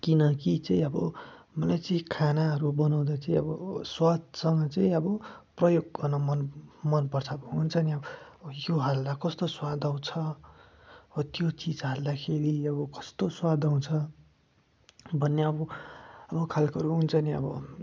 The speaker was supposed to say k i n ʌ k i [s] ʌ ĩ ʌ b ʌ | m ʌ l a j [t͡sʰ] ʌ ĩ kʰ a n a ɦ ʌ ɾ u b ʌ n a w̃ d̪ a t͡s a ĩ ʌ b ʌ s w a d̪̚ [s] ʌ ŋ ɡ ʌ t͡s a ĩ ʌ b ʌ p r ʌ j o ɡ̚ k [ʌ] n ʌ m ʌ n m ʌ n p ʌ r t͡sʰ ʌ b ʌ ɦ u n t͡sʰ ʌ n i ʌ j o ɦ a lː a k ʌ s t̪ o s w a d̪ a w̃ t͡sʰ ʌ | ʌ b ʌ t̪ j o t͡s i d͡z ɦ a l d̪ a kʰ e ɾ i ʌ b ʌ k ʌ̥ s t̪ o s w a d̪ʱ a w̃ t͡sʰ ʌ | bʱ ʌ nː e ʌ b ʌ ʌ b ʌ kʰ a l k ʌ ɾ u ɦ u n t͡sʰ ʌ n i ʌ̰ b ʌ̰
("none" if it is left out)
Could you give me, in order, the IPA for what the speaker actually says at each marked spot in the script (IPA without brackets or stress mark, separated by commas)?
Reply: t͡s, t͡s, s, ʌ